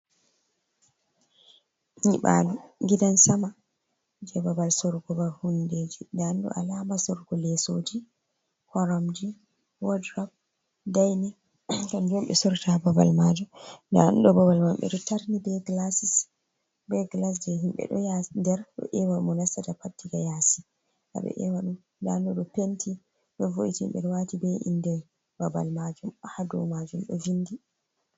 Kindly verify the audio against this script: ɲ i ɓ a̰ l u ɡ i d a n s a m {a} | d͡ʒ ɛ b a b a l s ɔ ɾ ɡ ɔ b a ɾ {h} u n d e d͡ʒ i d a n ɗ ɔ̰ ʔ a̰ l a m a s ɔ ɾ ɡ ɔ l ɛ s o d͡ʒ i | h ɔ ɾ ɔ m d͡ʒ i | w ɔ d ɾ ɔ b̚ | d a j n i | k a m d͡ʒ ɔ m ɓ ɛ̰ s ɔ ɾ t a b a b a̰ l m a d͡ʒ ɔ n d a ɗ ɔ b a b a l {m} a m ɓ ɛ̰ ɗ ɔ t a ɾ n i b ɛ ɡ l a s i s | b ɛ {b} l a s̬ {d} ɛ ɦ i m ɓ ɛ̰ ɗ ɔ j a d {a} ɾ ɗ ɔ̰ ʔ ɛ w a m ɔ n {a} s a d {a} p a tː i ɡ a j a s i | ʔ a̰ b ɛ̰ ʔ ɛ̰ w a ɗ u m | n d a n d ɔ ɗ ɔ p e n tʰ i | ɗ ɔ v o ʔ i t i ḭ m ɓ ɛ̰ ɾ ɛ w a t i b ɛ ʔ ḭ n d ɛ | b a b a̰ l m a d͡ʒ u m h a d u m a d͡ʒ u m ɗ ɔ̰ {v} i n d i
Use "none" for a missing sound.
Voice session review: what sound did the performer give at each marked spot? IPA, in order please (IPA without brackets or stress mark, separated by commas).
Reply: a, h, m, ɡ, d͡ʒ, ɛ, a, a, v